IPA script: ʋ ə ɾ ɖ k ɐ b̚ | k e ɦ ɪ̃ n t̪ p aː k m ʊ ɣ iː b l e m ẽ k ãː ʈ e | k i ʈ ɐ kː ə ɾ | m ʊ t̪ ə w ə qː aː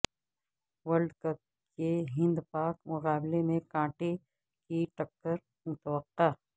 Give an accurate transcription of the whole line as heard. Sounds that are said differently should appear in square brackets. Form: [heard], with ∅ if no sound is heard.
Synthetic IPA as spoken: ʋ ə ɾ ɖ k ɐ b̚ | k e ɦ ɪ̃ n [d̪] p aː k m ʊ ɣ [aː] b l e m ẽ k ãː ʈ e | k i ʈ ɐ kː ə ɾ | m ʊ t̪ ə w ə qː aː